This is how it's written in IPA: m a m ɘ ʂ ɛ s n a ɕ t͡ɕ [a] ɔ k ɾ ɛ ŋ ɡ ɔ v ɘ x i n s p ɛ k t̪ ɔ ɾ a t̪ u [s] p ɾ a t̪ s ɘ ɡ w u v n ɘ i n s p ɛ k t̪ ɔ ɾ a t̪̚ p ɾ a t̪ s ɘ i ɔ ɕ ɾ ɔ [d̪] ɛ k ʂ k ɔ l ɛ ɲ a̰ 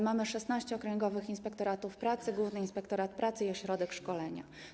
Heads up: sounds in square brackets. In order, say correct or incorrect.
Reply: incorrect, incorrect, correct

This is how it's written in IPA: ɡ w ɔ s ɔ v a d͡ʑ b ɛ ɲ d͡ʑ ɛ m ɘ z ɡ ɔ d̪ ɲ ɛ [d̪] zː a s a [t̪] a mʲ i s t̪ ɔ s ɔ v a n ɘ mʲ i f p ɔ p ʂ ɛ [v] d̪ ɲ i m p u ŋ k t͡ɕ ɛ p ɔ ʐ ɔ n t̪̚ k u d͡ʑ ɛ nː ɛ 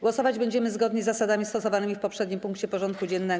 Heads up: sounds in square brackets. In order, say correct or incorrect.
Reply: incorrect, incorrect, incorrect

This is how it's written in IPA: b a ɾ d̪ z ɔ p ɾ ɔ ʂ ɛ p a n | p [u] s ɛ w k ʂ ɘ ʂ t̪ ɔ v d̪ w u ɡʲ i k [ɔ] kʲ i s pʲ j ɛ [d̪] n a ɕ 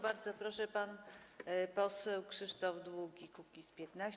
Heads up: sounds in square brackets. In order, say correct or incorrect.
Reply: incorrect, incorrect, incorrect

